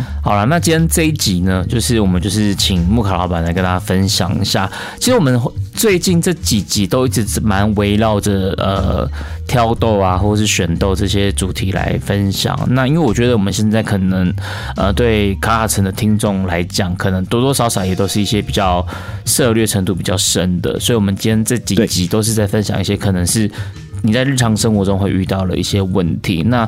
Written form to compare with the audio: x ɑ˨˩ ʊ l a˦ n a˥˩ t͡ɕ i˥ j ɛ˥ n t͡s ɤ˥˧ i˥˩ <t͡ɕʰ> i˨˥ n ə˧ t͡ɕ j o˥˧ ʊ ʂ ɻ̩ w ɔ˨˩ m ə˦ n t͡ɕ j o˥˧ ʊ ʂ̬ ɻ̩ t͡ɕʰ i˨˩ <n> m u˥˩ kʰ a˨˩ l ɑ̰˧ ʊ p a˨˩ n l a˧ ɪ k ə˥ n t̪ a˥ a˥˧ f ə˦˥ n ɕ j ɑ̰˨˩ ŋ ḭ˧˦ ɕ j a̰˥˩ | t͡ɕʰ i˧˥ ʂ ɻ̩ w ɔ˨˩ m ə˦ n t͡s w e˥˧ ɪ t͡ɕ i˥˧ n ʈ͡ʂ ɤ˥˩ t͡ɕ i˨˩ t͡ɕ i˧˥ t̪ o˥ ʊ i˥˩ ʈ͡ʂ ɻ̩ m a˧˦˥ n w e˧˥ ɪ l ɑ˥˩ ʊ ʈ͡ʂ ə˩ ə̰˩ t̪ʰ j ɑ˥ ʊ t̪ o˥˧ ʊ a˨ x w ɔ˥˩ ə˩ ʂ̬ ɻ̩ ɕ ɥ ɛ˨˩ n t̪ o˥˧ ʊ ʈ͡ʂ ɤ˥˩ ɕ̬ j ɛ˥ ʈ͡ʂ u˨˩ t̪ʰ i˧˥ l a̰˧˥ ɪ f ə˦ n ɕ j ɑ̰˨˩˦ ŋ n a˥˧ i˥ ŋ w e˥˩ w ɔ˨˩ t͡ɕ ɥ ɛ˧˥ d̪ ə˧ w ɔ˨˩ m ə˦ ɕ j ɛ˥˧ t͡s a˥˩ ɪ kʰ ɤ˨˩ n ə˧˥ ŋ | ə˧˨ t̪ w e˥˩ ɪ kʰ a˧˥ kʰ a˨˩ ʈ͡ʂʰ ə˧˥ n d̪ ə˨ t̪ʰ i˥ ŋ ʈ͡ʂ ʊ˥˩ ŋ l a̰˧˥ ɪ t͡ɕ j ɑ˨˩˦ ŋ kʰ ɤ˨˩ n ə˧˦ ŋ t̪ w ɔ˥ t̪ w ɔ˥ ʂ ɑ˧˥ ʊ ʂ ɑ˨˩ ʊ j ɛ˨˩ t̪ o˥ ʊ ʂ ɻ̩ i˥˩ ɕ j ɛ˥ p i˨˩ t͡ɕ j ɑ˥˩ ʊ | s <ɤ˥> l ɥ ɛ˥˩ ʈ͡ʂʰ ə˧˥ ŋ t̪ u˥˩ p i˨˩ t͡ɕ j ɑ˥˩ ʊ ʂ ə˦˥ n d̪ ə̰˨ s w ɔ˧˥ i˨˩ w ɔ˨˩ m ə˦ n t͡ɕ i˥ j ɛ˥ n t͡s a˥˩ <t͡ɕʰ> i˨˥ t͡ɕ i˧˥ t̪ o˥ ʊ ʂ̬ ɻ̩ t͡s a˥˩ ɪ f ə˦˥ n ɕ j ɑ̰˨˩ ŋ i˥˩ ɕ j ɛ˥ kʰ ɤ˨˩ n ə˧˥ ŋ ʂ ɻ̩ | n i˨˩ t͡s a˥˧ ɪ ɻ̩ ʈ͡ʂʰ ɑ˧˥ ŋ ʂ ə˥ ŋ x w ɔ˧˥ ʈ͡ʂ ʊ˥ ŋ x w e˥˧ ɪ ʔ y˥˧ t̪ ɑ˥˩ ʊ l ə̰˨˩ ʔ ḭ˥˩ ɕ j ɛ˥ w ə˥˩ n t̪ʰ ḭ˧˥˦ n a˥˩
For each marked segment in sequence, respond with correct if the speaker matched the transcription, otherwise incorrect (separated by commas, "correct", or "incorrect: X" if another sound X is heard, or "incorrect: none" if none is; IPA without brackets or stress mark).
incorrect: t͡ɕ, incorrect: ŋ, incorrect: ɤ˥˧, incorrect: t͡ɕ